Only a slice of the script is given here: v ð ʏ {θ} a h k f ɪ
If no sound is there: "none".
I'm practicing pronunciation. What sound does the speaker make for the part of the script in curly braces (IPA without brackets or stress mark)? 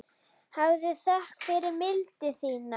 θ